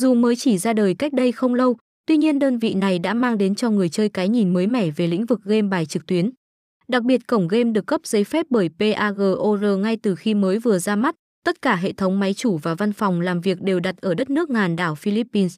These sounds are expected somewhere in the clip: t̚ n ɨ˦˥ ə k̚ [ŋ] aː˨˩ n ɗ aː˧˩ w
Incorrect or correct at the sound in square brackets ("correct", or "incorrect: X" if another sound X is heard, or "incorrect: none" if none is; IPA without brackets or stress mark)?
correct